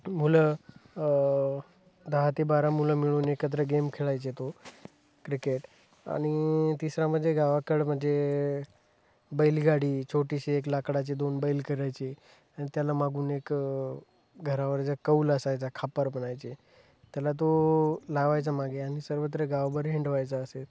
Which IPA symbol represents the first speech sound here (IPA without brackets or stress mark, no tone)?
m